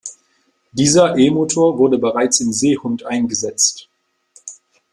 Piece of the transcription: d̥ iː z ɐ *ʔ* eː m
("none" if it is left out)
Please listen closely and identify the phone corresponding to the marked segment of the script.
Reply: ʔ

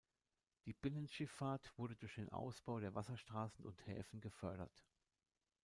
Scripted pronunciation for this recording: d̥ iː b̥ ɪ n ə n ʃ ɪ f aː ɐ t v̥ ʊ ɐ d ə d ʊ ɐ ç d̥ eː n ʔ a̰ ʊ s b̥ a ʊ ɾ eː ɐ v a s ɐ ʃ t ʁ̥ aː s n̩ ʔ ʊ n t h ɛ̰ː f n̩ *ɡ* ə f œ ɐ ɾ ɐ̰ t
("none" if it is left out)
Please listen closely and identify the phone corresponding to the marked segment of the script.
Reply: ɡ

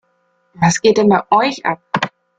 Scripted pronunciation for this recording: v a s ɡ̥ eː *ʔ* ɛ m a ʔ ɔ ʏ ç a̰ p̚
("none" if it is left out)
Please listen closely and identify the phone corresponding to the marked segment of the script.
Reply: t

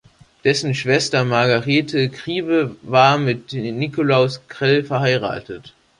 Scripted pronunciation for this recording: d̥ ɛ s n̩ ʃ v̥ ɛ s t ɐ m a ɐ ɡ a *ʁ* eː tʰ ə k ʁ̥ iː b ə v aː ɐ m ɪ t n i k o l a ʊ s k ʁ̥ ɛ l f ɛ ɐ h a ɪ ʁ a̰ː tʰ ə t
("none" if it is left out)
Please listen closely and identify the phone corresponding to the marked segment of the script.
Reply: ʁ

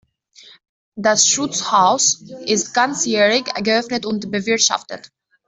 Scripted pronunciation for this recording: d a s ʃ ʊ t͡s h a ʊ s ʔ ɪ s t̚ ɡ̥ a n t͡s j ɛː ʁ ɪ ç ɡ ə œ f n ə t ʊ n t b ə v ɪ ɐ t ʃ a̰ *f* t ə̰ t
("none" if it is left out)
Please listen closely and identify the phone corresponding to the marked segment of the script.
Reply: f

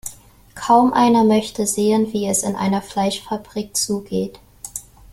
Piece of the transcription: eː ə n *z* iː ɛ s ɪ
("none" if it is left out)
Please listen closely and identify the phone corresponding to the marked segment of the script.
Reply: v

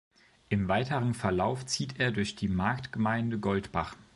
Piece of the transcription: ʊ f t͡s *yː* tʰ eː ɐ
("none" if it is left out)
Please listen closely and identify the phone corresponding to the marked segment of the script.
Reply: iː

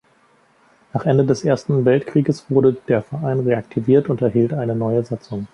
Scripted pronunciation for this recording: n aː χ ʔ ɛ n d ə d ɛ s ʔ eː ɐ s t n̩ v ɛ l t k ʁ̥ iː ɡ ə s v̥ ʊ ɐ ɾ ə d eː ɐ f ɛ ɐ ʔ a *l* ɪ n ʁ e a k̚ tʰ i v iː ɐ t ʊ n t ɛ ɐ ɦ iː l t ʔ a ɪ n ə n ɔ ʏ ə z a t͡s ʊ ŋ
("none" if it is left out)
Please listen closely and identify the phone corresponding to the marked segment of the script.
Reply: none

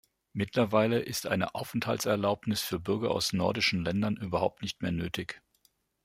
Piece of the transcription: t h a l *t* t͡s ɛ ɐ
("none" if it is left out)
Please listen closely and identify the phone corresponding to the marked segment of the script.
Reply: t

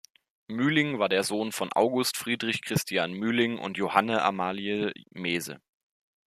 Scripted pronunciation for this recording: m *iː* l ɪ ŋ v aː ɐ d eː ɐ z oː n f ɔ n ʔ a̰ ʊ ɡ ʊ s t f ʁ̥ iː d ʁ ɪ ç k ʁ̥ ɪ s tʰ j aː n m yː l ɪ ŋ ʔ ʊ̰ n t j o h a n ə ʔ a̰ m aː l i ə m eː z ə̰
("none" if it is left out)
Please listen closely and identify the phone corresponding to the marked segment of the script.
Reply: yː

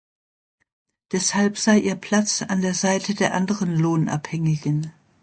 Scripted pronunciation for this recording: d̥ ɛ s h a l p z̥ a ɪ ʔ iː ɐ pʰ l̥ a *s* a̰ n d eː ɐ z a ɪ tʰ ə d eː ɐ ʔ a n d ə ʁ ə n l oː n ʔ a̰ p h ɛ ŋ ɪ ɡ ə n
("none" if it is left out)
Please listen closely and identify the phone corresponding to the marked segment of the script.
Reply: t͡s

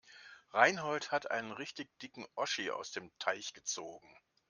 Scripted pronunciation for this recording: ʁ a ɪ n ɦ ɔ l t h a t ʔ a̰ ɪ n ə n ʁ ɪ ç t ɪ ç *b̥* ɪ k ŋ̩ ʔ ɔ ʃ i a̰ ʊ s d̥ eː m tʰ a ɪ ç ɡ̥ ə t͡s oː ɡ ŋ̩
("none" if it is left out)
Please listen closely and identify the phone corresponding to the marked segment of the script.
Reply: d̥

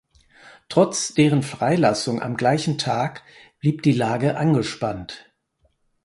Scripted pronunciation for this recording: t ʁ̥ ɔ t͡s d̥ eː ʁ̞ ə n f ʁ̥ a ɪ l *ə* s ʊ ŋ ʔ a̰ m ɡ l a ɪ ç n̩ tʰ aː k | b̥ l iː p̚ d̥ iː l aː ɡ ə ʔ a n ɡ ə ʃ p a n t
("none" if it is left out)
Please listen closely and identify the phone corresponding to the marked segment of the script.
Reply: a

